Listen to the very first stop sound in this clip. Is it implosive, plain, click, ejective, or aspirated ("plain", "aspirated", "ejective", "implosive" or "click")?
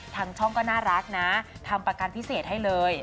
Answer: aspirated